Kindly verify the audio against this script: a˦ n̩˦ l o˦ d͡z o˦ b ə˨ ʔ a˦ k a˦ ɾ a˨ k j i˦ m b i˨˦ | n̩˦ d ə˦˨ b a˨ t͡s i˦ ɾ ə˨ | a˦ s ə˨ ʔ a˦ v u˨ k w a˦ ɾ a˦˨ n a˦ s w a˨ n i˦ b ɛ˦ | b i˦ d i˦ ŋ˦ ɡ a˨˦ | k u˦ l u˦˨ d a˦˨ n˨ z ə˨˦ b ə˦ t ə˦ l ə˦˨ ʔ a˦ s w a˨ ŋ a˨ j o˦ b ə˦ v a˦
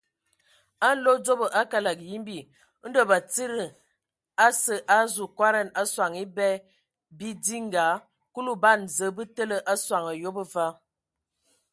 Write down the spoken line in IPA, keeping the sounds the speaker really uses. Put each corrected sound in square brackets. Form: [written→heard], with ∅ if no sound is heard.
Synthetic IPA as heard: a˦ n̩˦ l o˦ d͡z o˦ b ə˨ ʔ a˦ k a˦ [ɾ→l] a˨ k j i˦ m b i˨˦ | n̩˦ d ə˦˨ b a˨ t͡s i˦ ɾ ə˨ | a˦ s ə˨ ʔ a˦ [v→z] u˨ k w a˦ ɾ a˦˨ n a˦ s w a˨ [n→ŋ] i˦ b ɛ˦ | b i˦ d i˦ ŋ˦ ɡ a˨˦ | k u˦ l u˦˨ [d→b] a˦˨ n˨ z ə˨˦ b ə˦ t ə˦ l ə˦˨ ʔ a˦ s w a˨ ŋ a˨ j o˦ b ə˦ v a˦